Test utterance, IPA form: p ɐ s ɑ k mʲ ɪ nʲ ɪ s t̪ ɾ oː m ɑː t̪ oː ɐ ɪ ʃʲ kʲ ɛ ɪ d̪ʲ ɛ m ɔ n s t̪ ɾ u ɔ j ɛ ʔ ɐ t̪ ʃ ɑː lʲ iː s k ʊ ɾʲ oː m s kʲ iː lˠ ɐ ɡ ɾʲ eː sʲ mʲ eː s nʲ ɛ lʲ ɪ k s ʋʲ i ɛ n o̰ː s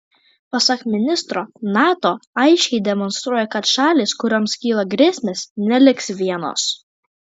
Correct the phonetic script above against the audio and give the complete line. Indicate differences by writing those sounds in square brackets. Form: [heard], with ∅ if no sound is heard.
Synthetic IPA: p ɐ s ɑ k mʲ ɪ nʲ ɪ s t̪ ɾ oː [n] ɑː t̪ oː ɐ ɪ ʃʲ kʲ ɛ ɪ d̪ʲ ɛ m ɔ n s t̪ ɾ u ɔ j ɛ [k] ɐ t̪ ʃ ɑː lʲ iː s k ʊ ɾʲ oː m s kʲ iː lˠ ɐ ɡ ɾʲ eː sʲ mʲ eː s nʲ ɛ lʲ ɪ k s ʋʲ i ɛ n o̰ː s

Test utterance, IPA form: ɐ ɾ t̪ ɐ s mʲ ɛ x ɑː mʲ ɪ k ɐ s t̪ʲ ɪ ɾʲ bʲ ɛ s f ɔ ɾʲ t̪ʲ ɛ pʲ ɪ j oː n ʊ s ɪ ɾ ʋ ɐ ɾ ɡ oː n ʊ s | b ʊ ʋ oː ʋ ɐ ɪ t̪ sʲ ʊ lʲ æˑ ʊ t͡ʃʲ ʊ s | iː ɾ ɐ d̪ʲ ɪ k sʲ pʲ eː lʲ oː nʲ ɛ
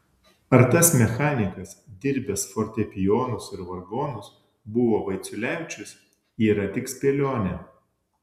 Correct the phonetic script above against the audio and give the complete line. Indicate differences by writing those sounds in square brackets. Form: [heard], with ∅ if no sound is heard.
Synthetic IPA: ɐ ɾ t̪ ɐ s mʲ ɛ x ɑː [nʲ] ɪ k ɐ s [d̪ʲ] ɪ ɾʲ bʲ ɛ s f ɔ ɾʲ t̪ʲ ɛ pʲ ɪ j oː n ʊ s ɪ ɾ ʋ ɐ ɾ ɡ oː n ʊ s | b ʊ ʋ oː ʋ ɐ ɪ t̪ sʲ ʊ lʲ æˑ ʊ t͡ʃʲ ʊ s | iː ɾ ɐ [t̪ʲ] ɪ k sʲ pʲ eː lʲ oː nʲ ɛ

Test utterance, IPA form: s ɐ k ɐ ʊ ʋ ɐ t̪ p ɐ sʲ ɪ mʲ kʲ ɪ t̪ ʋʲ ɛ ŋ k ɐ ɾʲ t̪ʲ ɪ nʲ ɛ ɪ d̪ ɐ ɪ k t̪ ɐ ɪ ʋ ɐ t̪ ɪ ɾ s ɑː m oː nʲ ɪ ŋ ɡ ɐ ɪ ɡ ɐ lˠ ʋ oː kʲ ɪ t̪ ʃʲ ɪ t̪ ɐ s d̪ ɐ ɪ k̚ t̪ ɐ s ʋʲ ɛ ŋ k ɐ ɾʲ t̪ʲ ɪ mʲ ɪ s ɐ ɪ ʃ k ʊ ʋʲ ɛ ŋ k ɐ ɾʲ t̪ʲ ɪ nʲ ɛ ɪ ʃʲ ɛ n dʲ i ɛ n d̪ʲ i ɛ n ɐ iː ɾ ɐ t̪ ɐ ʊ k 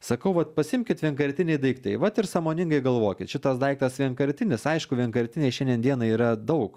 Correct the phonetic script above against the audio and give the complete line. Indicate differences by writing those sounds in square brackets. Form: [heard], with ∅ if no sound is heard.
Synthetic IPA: s ɐ k ɐ ʊ ʋ ɐ t̪ p ɐ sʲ ɪ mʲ kʲ ɪ t̪ ʋʲ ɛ ŋ k ɐ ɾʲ t̪ʲ ɪ nʲ ɛ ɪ d̪ ɐ ɪ k t̪ ɐ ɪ ʋ ɐ t̪ ɪ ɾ s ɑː m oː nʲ ɪ ŋ ɡ ɐ ɪ ɡ ɐ lˠ ʋ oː kʲ ɪ t̪ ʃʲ ɪ t̪ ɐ s d̪ ɐ ɪ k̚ t̪ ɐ s ʋʲ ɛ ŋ k ɐ ɾʲ t̪ʲ ɪ [nʲ] ɪ s ɐ ɪ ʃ k ʊ ʋʲ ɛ ŋ k ɐ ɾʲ t̪ʲ ɪ nʲ ɛ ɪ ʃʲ ɛ n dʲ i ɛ n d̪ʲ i ɛ n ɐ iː ɾ ɐ [d̪] ɐ ʊ k

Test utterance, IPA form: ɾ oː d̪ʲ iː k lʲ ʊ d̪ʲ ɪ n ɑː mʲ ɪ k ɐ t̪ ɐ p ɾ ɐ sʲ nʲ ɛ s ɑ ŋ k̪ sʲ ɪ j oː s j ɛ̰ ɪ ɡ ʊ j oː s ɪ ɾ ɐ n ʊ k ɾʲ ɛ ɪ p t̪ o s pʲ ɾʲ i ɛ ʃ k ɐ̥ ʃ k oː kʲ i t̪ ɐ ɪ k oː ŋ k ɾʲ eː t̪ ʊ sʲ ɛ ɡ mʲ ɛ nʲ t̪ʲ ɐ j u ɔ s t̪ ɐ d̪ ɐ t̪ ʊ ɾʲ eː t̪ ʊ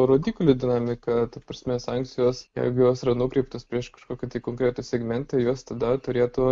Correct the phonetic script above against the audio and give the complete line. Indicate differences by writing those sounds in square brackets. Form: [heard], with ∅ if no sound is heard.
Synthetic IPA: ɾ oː d̪ʲ iː k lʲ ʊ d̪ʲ ɪ n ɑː mʲ ɪ k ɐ t̪ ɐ p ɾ ɐ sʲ [mʲ] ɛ s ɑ ŋ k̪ sʲ ɪ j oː s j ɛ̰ ɪ ɡ ʊ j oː s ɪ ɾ ɐ n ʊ k ɾʲ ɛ ɪ p t̪ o s pʲ ɾʲ i ɛ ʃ k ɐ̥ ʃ k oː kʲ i t̪ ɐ ɪ k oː ŋ k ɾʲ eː t̪ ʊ sʲ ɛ ɡ mʲ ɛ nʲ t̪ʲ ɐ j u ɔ s t̪ ɐ d̪ ɐ t̪ ʊ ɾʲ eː t̪ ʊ

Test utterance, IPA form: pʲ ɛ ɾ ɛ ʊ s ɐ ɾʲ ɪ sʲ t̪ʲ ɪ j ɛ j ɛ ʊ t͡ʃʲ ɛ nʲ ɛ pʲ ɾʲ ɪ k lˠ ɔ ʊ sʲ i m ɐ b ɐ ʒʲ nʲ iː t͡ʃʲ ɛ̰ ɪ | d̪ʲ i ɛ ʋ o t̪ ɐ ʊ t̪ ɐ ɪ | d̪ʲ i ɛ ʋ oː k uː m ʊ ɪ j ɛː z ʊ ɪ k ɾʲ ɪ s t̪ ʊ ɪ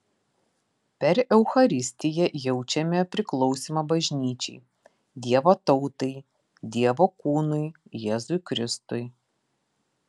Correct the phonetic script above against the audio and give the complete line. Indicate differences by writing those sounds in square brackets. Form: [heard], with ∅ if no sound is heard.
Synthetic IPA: pʲ ɛ ɾ ɛ ʊ [x] ɐ ɾʲ ɪ sʲ t̪ʲ ɪ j ɛ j ɛ ʊ t͡ʃʲ ɛ [mʲ] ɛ pʲ ɾʲ ɪ k lˠ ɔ ʊ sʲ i m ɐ b ɐ ʒʲ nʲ iː t͡ʃʲ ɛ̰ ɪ | d̪ʲ i ɛ ʋ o t̪ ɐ ʊ t̪ ɐ ɪ | d̪ʲ i ɛ ʋ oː k uː [n] ʊ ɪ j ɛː z ʊ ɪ k ɾʲ ɪ s t̪ ʊ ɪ

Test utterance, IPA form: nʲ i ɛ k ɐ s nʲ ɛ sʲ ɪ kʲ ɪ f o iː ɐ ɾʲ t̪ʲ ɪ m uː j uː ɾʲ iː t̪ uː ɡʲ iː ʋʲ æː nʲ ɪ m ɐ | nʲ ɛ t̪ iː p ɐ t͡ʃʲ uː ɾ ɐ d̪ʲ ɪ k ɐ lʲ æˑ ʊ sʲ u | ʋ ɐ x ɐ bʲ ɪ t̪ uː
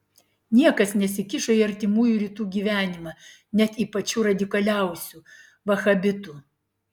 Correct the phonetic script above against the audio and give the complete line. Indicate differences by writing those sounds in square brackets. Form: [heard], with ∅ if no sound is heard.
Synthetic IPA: nʲ i ɛ k ɐ s nʲ ɛ sʲ ɪ kʲ ɪ [ʃ] o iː ɐ ɾʲ t̪ʲ ɪ m uː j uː ɾʲ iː t̪ uː ɡʲ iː ʋʲ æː nʲ ɪ m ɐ | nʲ ɛ t̪ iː p ɐ t͡ʃʲ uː ɾ ɐ d̪ʲ ɪ k ɐ lʲ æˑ ʊ sʲ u | ʋ ɐ x ɐ bʲ ɪ t̪ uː

